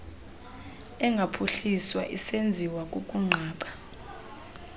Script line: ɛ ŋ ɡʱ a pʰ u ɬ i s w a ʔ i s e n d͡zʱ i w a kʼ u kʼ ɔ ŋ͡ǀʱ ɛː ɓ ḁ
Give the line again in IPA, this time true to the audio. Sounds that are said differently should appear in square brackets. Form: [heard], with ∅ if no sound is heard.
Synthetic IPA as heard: ɛ ŋ ɡʱ a pʰ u ɬ i s w a ʔ i s e n d͡zʱ i w a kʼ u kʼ [u] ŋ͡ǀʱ [aː] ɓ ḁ